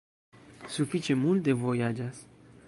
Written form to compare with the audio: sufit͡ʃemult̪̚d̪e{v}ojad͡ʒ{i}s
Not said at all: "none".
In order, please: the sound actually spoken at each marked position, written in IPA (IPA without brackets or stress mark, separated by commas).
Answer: v, a